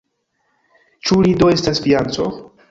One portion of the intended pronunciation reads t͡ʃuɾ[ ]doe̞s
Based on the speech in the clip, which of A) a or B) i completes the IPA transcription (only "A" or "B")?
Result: B